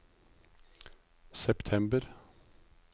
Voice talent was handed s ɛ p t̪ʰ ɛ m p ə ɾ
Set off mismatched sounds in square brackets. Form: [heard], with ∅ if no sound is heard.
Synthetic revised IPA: s ɛ p t̪ʰ ɛ m [b] ə ɾ